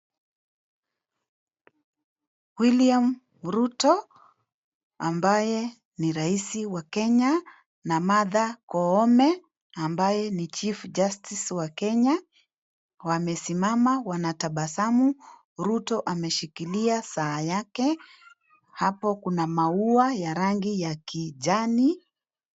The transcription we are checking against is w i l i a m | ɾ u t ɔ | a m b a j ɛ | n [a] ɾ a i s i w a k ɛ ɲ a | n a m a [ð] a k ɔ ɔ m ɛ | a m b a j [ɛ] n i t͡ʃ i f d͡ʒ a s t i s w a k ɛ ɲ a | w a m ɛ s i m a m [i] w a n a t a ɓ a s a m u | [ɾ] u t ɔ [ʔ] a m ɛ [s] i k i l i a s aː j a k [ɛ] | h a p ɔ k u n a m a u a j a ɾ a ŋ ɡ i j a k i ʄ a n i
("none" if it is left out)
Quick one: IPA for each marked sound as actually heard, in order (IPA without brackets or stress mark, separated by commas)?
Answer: i, ð, ɛ, a, ɾ, ʔ, ʃ, ɛ